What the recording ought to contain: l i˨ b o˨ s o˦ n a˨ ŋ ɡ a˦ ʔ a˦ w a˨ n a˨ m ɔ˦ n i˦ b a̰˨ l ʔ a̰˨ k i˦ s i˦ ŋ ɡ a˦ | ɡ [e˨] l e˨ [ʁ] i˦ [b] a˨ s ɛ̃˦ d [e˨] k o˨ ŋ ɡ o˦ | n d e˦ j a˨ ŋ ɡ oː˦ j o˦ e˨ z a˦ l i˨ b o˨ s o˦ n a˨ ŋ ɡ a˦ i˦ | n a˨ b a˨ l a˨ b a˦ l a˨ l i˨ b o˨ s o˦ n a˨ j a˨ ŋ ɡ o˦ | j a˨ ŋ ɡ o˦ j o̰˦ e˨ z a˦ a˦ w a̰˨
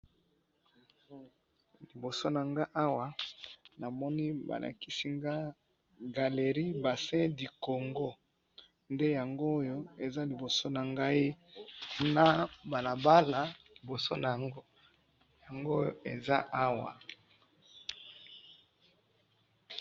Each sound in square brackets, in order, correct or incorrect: incorrect, correct, correct, incorrect

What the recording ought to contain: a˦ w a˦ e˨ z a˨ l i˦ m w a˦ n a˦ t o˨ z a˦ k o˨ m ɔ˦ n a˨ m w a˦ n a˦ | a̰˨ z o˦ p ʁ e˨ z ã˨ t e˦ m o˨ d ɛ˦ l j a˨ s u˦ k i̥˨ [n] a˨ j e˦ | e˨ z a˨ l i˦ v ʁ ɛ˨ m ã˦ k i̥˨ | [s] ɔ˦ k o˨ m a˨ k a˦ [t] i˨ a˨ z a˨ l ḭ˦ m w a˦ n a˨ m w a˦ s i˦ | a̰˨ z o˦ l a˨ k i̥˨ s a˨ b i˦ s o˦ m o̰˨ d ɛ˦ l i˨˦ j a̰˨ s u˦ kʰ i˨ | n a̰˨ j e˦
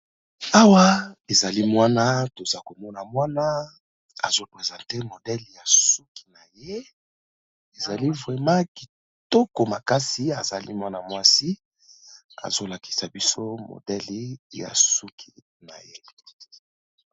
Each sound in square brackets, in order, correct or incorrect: correct, incorrect, incorrect

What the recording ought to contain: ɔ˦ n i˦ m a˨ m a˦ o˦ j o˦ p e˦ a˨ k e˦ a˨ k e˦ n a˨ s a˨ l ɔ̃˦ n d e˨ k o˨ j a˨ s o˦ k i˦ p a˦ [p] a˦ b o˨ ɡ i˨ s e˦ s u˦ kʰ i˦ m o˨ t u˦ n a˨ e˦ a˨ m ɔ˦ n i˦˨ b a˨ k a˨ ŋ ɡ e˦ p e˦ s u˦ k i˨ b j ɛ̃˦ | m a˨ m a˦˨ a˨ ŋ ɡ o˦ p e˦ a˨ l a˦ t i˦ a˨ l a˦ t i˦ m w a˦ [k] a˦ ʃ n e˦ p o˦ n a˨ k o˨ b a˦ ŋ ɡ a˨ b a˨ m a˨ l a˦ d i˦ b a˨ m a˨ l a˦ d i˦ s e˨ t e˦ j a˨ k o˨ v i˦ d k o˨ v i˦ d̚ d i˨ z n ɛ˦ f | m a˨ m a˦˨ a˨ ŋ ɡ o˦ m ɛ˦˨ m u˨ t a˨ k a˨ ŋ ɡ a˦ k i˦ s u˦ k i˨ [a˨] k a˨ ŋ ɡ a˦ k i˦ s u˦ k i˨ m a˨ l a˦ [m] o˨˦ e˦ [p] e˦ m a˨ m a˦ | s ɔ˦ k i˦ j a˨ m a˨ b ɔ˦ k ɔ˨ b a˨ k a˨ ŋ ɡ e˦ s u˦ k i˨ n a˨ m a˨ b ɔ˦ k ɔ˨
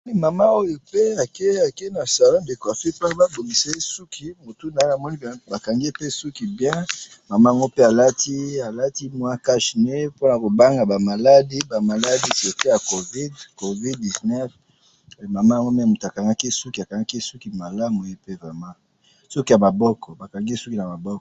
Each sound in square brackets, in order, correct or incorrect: incorrect, correct, correct, correct, correct

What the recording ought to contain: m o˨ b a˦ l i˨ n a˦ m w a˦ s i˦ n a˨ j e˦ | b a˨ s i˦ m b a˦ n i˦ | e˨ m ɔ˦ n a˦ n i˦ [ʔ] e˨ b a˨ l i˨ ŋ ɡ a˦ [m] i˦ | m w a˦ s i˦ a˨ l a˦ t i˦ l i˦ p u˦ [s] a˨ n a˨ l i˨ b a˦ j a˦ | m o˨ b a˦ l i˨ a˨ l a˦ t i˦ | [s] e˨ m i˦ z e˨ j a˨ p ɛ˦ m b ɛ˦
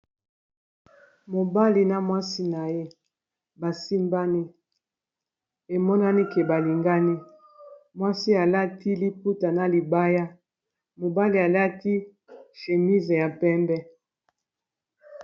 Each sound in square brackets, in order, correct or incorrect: incorrect, incorrect, incorrect, incorrect

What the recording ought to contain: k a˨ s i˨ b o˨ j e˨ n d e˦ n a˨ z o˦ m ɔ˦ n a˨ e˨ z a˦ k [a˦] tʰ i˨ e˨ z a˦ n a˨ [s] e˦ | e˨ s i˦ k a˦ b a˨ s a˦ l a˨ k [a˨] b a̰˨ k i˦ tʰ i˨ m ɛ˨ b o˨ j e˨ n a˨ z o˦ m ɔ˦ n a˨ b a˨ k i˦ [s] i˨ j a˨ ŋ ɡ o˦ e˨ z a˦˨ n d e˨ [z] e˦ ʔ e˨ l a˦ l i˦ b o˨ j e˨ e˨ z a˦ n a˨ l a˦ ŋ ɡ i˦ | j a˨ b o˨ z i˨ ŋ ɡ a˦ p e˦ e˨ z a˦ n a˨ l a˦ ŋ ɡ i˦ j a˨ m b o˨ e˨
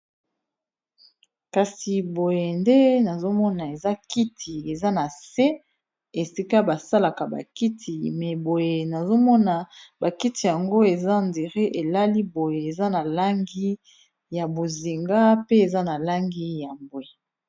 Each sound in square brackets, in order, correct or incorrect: incorrect, correct, correct, incorrect, incorrect

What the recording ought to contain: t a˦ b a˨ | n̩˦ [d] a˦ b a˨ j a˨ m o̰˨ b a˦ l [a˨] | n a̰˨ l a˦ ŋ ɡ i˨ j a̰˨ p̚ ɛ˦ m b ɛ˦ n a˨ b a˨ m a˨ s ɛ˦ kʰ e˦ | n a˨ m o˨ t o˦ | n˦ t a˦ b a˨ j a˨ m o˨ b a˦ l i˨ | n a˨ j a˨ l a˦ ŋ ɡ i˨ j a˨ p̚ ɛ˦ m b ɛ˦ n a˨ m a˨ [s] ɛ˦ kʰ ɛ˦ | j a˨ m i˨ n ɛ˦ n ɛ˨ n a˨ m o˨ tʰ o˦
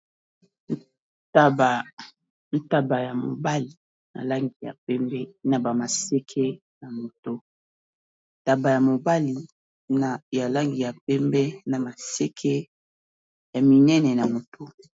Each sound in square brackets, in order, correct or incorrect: incorrect, incorrect, correct

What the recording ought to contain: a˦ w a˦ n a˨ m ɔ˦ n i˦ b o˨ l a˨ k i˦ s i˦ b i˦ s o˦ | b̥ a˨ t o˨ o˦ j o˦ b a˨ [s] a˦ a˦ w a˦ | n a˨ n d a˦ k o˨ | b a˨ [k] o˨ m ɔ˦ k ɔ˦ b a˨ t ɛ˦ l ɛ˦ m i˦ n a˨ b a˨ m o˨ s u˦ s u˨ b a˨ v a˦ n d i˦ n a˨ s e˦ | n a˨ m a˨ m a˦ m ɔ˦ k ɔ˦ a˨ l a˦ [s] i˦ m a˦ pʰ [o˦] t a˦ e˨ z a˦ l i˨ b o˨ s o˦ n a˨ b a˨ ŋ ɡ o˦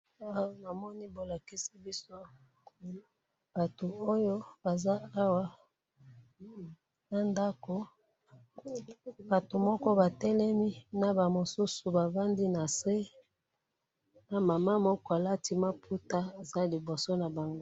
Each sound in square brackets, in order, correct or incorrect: incorrect, incorrect, incorrect, incorrect

